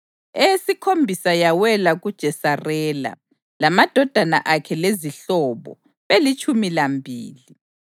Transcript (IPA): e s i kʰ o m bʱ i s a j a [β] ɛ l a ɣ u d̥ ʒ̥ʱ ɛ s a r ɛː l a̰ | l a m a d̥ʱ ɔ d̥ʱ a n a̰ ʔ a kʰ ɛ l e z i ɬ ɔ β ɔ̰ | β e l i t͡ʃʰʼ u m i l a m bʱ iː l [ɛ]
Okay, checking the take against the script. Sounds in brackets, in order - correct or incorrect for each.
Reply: incorrect: w, incorrect: i

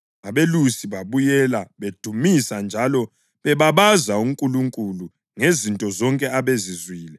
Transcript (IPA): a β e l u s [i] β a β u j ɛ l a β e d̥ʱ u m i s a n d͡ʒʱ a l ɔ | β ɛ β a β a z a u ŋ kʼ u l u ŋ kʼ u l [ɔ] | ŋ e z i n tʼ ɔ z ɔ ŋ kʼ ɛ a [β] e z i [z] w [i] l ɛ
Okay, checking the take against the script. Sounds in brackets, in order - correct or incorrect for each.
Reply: correct, incorrect: u, correct, correct, incorrect: iː

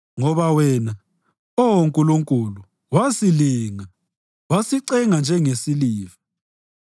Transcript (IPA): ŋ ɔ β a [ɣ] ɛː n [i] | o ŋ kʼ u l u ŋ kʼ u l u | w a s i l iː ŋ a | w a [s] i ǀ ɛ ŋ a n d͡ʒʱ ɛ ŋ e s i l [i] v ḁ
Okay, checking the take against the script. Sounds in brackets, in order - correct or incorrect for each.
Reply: incorrect: w, incorrect: a, correct, incorrect: iː

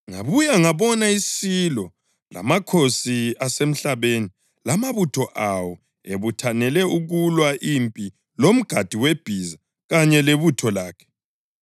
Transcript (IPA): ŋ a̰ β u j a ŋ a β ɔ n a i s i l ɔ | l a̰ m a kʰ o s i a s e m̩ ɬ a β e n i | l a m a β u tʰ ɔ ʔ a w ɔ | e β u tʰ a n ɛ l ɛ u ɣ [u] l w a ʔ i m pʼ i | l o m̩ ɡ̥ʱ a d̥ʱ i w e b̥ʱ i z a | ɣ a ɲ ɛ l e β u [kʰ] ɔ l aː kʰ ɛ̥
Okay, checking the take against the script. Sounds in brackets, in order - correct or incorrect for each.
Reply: correct, incorrect: tʰ

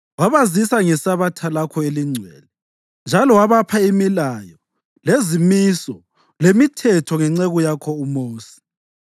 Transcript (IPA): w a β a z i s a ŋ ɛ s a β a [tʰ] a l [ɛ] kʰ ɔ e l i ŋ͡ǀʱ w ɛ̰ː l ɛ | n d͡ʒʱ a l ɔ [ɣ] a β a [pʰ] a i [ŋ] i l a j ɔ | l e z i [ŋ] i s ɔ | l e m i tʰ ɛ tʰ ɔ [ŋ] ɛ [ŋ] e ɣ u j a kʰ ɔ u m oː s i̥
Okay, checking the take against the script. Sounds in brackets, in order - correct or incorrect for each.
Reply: correct, incorrect: a, incorrect: w, correct, incorrect: m, incorrect: m, correct, incorrect: ŋ͡ǀ

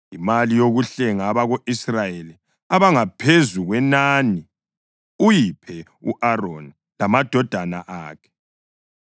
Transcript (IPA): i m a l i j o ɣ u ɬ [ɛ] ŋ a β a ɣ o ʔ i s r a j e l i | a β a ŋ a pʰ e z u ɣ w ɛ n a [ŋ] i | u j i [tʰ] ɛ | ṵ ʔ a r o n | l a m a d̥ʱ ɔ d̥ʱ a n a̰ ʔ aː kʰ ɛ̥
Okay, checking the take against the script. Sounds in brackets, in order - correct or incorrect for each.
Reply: correct, incorrect: n, incorrect: pʰ

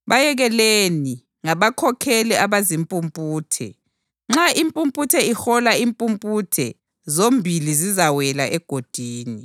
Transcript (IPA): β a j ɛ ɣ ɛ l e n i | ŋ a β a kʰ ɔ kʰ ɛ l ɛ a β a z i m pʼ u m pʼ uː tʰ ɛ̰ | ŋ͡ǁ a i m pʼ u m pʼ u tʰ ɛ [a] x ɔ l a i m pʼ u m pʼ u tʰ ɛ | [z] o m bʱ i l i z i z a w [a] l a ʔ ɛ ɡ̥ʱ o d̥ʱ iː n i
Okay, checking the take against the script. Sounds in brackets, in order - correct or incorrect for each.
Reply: incorrect: i, correct, incorrect: ɛ

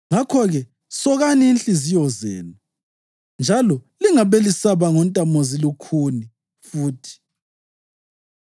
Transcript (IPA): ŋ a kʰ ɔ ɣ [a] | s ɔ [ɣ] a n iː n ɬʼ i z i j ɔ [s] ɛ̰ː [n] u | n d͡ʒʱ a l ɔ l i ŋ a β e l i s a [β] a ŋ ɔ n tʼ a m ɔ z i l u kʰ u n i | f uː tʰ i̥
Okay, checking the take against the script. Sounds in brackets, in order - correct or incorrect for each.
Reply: incorrect: ɛ, correct, incorrect: z, correct, correct

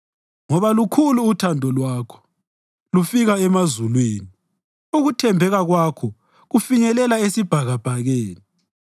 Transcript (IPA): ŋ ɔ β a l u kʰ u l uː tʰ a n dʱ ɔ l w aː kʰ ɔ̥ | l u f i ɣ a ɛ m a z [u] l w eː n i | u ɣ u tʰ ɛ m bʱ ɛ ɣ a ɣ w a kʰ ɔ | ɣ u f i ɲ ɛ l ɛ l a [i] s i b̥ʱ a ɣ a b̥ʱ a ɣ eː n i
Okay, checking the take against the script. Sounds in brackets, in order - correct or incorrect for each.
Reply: correct, incorrect: e

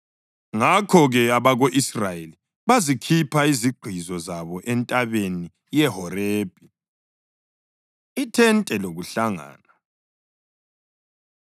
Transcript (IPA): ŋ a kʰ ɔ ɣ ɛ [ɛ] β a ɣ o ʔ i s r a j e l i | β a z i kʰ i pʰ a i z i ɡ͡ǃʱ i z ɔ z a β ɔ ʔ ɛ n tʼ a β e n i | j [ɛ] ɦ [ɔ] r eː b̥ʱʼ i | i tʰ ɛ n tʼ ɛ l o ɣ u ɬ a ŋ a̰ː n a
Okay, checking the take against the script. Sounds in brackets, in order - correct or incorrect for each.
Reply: incorrect: a, correct, correct

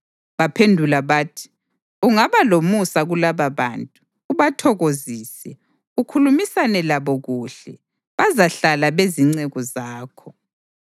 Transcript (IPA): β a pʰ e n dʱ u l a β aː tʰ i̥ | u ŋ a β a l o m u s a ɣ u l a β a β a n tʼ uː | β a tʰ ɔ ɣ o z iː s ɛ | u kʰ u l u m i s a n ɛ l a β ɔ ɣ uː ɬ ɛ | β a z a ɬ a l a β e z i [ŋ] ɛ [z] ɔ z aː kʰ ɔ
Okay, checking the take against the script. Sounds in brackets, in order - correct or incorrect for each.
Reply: incorrect: ŋ͡ǀ, incorrect: ɣ

